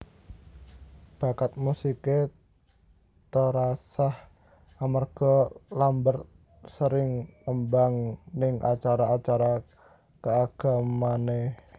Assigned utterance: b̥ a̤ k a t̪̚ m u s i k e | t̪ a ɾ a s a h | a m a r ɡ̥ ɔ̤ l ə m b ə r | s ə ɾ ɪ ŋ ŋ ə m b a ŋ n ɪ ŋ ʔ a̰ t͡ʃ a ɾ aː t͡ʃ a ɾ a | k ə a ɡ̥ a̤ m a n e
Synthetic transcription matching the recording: b̥ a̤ k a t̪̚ m u s i k e | t̪ ə ɾ a s a h | a m a r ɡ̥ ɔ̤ l a m b ə r | s ə ɾ ɪ ŋ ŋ ə m b a ŋ n ɪ ŋ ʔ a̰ t͡ʃ a ɾ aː t͡ʃ a ɾ a | k ə a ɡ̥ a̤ m a n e